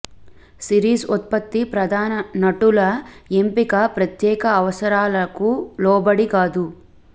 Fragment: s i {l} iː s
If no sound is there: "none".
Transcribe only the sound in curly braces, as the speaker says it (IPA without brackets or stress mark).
ɾ